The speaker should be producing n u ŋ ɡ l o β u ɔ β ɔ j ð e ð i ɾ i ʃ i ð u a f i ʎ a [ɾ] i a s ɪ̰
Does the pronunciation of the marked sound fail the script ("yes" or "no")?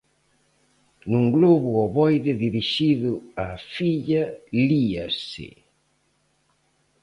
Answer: yes